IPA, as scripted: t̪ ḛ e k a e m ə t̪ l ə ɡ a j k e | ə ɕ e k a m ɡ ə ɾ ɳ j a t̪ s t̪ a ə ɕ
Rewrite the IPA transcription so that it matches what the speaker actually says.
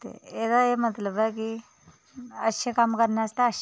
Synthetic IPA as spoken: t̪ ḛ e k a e m ə t̪ l ə b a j k i | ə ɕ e k a m k ə ɾ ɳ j a s t̪ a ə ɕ